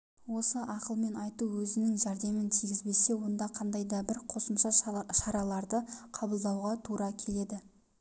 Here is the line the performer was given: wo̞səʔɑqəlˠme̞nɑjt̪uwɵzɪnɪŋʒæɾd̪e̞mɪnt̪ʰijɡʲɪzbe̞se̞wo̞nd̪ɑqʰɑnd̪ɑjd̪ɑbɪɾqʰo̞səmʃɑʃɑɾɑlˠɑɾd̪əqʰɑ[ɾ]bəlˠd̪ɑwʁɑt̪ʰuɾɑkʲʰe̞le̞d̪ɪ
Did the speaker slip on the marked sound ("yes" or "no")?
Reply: yes